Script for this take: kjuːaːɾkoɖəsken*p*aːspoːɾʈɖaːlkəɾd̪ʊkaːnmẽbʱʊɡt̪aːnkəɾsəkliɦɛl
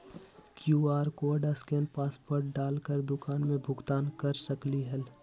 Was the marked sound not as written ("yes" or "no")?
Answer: no